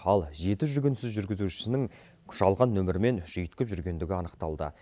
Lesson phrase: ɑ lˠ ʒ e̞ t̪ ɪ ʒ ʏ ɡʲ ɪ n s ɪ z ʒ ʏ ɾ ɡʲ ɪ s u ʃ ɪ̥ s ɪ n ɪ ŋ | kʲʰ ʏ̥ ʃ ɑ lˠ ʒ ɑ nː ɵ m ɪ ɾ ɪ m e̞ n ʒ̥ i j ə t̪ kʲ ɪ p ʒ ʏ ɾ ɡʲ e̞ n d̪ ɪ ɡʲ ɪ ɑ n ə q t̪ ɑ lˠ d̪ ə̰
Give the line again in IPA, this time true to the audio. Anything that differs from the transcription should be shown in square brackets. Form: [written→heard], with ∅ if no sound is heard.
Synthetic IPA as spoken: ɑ lˠ ʒ e̞ t̪ ɪ ʒ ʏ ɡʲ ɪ n s ɪ z ʒ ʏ ɾ ɡʲ ɪ [s→z] u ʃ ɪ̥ s ɪ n ɪ ŋ | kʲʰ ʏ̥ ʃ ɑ lˠ [ʒ→ʁ] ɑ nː ɵ m ɪ ɾ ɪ m e̞ n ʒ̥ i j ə t̪ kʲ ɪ p ʒ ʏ ɾ ɡʲ e̞ n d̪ ɪ ɡʲ ɪ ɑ n ə q t̪ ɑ lˠ d̪ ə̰